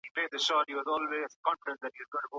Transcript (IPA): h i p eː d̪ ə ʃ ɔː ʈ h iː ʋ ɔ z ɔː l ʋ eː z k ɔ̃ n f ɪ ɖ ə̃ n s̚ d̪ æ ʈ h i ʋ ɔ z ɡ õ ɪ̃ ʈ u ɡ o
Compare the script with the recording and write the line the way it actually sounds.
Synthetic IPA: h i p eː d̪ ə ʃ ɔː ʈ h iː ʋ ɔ z ɔː l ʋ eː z k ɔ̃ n f ɪ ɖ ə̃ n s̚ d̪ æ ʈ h i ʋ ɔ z ɡ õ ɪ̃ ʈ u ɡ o